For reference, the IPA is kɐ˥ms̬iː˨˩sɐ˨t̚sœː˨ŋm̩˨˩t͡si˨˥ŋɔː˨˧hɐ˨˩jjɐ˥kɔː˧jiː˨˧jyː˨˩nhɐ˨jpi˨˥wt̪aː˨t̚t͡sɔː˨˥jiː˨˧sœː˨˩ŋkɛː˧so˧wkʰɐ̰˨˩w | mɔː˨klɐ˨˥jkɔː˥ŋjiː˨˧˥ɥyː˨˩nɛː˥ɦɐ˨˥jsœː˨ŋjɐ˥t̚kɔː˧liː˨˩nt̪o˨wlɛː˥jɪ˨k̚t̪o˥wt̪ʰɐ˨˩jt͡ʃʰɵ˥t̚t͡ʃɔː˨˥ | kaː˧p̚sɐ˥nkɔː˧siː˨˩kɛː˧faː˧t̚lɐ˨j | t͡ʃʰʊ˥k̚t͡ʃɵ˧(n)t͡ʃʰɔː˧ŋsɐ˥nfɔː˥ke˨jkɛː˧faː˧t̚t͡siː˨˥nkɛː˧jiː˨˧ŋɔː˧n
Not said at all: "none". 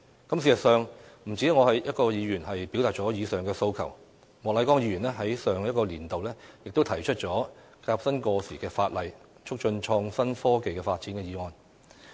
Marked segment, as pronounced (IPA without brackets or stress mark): n